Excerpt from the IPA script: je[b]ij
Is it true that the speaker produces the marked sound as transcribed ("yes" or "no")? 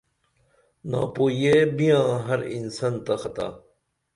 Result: yes